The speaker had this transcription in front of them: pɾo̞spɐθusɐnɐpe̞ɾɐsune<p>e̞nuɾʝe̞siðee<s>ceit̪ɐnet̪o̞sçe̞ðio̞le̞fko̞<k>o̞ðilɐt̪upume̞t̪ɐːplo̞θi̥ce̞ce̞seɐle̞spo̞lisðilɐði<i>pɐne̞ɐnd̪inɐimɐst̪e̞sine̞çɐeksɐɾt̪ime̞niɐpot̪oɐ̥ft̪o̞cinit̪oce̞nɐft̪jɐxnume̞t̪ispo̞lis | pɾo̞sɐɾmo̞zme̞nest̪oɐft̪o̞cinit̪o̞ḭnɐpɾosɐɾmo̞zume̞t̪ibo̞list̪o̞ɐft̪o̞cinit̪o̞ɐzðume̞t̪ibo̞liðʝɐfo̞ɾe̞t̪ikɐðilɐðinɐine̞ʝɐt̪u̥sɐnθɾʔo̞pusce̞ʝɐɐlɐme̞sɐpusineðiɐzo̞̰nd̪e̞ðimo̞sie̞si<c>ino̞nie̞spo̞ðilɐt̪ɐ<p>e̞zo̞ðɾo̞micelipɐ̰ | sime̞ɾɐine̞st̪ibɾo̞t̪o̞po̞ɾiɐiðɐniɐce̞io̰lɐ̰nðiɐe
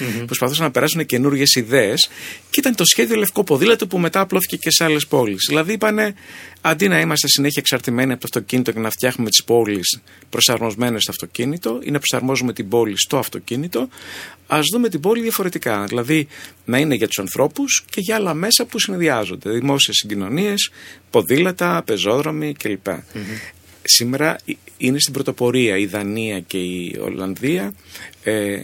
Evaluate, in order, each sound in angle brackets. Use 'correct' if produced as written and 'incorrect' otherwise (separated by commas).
incorrect, correct, incorrect, correct, incorrect, correct